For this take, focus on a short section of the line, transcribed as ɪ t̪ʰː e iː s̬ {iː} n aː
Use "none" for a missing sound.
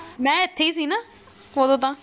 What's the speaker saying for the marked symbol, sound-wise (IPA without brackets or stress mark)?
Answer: iː